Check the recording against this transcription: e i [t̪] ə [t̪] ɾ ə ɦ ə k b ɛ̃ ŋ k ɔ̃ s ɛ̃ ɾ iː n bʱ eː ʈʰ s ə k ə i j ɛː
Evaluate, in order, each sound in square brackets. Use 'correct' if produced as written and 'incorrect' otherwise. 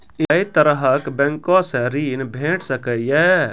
correct, incorrect

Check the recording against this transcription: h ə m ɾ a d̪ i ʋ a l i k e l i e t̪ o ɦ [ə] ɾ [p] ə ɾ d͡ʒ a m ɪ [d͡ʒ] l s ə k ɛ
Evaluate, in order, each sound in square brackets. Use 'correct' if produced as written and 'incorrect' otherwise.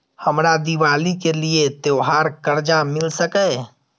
incorrect, incorrect, incorrect

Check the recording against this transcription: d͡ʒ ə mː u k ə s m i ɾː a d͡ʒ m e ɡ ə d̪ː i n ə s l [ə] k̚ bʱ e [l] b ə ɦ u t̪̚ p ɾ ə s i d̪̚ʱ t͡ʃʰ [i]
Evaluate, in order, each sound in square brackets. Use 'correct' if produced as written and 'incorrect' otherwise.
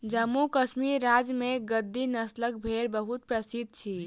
correct, incorrect, correct

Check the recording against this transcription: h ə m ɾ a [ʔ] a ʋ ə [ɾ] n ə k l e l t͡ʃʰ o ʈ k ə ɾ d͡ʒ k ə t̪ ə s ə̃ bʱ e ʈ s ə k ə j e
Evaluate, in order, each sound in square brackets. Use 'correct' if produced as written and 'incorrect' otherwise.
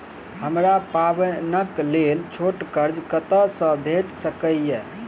incorrect, incorrect

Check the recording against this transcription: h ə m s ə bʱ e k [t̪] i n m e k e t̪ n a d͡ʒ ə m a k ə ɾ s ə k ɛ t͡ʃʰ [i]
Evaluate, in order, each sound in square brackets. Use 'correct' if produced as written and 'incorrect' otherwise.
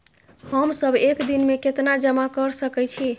incorrect, correct

